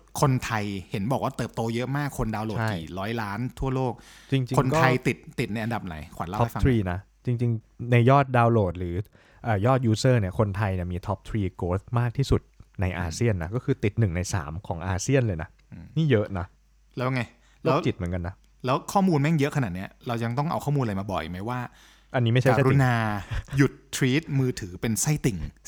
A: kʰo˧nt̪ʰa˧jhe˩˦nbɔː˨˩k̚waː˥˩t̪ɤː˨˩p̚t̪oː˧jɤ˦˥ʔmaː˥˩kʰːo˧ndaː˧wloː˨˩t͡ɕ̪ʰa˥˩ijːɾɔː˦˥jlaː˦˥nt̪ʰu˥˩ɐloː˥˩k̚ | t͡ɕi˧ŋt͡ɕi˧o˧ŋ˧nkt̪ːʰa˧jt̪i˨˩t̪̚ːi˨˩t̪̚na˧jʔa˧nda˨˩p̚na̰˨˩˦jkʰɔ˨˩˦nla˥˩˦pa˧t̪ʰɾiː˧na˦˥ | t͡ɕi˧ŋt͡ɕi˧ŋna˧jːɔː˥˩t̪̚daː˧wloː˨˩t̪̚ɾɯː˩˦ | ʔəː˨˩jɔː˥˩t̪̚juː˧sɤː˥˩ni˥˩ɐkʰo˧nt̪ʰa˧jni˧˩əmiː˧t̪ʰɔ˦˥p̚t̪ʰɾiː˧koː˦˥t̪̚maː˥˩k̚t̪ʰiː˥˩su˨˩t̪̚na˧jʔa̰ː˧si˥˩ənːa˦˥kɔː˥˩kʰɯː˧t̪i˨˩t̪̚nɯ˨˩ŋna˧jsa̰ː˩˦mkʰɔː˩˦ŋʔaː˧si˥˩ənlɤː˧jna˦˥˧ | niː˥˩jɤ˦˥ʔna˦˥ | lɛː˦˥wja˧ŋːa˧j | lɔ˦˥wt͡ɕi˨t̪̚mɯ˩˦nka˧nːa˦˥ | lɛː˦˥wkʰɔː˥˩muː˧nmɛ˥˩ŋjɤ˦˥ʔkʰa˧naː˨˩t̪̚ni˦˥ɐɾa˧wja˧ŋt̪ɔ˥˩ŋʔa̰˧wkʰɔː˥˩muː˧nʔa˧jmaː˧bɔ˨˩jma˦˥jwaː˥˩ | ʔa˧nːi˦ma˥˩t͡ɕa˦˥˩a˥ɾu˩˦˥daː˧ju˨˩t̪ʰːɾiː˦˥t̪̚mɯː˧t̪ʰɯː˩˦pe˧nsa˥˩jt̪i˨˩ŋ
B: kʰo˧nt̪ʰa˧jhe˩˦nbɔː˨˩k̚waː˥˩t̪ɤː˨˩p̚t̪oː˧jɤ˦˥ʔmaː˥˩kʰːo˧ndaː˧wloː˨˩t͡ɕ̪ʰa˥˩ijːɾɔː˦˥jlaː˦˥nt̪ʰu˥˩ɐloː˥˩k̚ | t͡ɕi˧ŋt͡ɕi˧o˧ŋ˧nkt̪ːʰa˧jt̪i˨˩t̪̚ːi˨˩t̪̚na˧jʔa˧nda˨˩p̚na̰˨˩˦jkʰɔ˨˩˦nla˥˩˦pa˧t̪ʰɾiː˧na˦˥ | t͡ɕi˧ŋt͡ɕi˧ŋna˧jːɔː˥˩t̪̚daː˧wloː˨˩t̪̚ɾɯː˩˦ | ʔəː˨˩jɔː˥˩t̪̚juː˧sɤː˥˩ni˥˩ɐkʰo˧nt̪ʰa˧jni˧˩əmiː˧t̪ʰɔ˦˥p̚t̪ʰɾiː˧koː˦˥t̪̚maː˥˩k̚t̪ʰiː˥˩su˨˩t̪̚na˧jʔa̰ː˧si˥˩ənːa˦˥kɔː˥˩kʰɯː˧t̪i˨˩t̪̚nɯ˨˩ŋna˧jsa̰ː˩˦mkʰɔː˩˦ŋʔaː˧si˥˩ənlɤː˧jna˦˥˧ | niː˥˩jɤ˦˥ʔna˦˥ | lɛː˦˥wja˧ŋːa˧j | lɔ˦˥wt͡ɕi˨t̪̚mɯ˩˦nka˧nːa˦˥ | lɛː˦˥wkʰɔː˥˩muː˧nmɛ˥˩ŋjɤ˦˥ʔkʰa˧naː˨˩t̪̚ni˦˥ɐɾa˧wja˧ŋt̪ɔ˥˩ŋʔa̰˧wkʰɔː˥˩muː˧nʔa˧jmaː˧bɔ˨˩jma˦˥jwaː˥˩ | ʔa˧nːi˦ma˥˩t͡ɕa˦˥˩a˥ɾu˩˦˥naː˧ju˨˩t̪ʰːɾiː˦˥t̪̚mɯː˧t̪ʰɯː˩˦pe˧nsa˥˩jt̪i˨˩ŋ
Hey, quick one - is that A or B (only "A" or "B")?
B